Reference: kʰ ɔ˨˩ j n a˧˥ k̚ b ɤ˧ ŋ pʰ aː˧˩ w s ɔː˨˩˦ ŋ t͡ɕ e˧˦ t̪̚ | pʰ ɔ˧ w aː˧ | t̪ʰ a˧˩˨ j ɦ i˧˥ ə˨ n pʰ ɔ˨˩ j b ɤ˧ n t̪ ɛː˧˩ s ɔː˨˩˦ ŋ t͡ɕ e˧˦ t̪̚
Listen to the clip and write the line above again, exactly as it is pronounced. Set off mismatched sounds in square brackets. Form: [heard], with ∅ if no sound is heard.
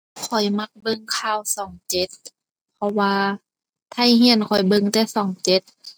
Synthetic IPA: kʰ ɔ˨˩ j [m] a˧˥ k̚ b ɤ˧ ŋ [kʰ] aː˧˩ w s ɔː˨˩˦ ŋ t͡ɕ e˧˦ t̪̚ | pʰ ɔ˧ w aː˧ | t̪ʰ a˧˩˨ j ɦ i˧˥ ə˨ n [kʰ] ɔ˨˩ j b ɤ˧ [ŋ] t̪ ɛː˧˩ s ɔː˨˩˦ ŋ t͡ɕ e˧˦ t̪̚